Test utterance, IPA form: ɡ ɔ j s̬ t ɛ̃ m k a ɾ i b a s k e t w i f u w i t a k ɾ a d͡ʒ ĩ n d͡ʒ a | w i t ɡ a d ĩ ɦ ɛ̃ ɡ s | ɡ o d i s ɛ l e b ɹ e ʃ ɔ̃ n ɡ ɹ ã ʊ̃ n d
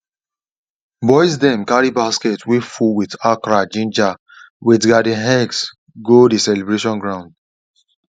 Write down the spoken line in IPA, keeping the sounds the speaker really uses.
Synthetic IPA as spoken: b ɔ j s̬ d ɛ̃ m k a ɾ i b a s k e t w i f u w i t a k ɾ a d͡ʒ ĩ n d͡ʒ a | w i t ɡ a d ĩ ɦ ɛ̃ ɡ s | ɡ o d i s ɛ l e b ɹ e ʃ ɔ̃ n ɡ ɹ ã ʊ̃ n d